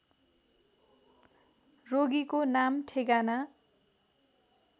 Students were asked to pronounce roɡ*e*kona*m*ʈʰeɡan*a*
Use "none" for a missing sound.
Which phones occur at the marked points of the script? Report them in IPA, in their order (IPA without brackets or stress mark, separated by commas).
i, m, a